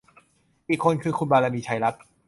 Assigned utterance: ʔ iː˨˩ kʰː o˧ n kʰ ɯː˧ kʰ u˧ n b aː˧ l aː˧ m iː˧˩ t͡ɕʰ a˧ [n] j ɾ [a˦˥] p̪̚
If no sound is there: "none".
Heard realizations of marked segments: none, a˦˥

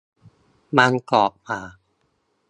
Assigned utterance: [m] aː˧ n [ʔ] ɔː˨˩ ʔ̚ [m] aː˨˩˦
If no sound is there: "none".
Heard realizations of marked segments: m, k, m

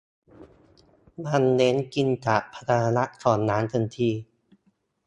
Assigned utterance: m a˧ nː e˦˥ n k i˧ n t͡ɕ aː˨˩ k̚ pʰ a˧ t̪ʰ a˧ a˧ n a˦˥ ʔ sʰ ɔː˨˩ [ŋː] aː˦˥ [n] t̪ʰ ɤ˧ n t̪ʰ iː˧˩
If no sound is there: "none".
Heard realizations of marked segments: nː, n

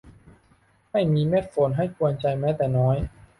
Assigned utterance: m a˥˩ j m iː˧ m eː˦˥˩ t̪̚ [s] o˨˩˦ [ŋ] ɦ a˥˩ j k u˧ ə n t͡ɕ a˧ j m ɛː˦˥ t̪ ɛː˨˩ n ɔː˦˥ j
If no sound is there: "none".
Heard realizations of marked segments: f, n

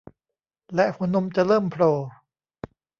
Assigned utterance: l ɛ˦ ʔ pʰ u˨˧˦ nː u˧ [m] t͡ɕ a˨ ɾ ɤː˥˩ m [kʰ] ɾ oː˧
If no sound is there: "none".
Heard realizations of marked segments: m, pʰ

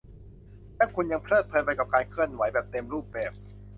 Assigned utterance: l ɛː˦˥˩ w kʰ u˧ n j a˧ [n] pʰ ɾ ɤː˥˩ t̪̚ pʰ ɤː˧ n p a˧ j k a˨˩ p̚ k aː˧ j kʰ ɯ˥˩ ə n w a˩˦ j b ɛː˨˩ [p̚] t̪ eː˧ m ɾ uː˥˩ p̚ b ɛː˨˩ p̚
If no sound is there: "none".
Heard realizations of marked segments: ŋ, p̚

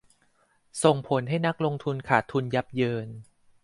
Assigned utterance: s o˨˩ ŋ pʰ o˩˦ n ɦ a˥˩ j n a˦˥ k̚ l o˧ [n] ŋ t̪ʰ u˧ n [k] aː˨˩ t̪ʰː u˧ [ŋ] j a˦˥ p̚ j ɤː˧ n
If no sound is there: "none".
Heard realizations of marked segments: none, kʰ, n

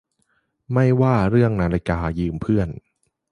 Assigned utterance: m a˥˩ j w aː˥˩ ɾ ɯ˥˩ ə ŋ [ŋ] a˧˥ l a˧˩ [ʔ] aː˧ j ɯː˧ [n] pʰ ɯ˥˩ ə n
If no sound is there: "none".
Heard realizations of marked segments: n, k, m

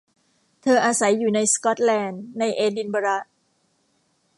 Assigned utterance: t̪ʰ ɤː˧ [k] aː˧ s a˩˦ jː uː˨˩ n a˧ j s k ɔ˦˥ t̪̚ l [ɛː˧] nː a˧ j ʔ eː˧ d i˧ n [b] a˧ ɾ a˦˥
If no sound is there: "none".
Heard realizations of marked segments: ʔ, ɛː˧, b

